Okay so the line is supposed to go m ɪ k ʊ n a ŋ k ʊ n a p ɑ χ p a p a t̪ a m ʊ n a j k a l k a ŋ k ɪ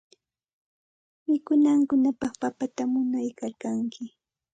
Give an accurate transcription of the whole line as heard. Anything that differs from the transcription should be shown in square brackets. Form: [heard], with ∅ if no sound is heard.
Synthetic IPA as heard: m ɪ k ʊ n a ŋ k ʊ n a p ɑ χ p a p a t̪ a m ʊ n a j k a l k a ŋ k ɪ